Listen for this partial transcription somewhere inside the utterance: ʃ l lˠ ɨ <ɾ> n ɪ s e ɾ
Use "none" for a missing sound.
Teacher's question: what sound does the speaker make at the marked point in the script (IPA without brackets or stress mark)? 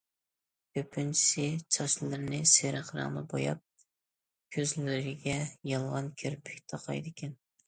ɾ